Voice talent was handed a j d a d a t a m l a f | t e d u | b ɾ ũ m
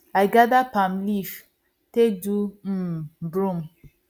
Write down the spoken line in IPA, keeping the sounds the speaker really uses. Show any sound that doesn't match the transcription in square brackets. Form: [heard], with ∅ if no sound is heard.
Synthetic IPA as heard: a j [ɡ] a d a [p] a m l [i] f | t e d u | b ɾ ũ m